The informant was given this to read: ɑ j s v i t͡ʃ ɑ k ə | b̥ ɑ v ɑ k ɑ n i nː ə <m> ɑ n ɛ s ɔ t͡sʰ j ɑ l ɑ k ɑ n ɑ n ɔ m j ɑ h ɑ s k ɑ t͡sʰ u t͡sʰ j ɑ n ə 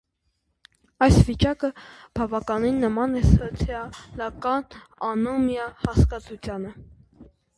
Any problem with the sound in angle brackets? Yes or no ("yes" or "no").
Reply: no